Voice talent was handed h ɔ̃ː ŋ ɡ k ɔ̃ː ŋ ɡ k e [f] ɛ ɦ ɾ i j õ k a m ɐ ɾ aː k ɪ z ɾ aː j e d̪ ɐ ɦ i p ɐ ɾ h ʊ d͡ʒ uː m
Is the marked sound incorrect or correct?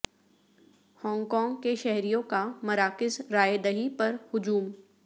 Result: incorrect